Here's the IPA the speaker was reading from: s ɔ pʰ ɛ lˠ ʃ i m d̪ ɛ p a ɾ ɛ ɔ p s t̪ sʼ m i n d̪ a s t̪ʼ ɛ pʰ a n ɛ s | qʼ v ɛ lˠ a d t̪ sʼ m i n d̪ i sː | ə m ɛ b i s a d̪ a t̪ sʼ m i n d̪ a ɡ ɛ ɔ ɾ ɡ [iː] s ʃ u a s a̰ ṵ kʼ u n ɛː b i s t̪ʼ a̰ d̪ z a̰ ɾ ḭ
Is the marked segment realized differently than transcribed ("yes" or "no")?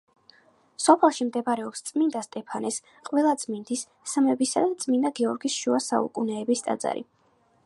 yes